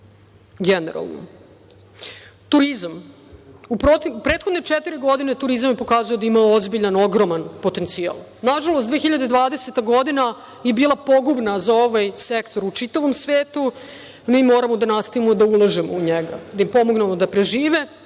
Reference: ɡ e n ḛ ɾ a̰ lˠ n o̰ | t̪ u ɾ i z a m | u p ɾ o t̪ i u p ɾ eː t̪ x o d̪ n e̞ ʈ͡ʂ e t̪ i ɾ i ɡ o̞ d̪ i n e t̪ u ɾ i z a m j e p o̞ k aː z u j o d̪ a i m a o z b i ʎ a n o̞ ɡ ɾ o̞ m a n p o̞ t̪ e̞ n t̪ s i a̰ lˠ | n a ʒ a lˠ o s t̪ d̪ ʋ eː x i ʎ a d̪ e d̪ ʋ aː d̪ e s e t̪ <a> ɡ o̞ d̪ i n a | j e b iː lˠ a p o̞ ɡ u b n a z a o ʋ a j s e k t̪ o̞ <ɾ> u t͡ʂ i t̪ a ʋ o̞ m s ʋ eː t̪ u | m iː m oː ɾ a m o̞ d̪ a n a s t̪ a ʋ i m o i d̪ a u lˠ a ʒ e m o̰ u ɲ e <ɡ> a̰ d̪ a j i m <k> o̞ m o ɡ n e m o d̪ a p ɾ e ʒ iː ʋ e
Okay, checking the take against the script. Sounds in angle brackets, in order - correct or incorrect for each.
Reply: correct, correct, correct, incorrect

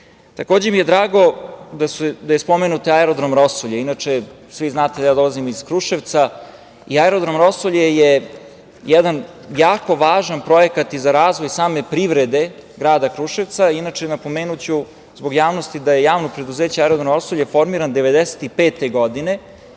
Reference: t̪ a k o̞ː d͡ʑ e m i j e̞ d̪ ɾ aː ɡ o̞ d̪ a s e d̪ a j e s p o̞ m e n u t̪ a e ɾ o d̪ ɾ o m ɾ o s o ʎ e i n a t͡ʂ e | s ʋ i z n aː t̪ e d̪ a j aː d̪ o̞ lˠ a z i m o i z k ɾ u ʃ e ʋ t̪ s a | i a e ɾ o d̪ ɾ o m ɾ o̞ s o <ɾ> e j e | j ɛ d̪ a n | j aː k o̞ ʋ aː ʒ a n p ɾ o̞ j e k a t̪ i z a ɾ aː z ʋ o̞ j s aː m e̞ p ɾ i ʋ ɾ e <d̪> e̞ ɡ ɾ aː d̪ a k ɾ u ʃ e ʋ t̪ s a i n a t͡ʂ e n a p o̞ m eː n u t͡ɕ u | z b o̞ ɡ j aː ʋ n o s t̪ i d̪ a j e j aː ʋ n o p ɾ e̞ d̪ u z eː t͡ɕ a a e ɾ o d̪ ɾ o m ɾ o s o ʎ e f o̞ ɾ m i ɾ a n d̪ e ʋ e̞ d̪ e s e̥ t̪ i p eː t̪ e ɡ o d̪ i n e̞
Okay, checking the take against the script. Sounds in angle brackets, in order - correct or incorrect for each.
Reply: incorrect, correct

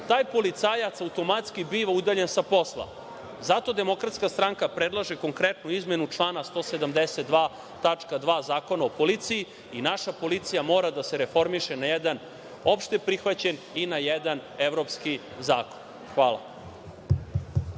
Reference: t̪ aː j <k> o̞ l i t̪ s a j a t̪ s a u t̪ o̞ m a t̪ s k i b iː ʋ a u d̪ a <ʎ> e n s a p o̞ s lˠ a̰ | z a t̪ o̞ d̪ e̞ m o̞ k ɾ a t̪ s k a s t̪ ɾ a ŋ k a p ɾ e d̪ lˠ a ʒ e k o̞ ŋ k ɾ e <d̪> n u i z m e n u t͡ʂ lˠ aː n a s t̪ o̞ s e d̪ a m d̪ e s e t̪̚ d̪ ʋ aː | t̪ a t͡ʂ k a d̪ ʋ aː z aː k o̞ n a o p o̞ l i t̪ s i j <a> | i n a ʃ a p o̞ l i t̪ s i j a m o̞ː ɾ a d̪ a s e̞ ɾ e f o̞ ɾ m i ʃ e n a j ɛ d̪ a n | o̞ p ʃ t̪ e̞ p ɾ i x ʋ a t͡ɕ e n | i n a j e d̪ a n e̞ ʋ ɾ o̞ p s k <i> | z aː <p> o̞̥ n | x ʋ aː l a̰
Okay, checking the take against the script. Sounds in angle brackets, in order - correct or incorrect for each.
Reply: incorrect, correct, incorrect, incorrect, correct, incorrect

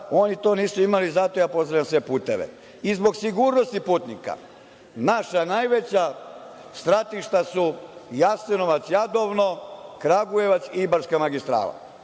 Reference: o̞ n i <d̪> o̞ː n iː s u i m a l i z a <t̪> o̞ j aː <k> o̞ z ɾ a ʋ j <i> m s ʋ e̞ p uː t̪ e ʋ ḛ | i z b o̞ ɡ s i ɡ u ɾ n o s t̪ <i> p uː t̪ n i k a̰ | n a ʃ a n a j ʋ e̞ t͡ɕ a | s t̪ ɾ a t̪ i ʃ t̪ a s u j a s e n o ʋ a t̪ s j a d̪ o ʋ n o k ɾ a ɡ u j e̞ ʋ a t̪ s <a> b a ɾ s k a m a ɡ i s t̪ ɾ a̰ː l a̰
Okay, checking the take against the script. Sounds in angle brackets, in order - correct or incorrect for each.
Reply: incorrect, correct, incorrect, incorrect, correct, incorrect

